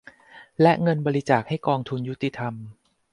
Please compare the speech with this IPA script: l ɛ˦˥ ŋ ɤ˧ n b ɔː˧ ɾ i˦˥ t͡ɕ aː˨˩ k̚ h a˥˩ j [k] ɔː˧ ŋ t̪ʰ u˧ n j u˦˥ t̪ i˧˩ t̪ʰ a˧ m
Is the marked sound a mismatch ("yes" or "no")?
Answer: no